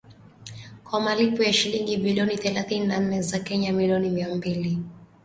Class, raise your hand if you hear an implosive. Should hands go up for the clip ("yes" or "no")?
no